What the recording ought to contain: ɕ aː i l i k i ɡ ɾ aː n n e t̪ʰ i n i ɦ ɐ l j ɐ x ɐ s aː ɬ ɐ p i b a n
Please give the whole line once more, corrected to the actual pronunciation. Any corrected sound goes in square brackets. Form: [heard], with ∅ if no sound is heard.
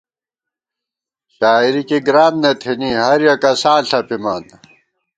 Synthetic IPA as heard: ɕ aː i [ɾ] i k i ɡ ɾ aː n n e t̪ʰ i n i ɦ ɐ [ɾ] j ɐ [k] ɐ s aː ɬ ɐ p i [m] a n